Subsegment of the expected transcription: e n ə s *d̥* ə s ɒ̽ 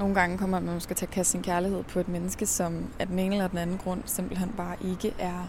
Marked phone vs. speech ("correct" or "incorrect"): incorrect